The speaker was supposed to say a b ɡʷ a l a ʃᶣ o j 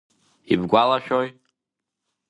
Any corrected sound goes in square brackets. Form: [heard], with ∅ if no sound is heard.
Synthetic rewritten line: [i] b ɡʷ a l a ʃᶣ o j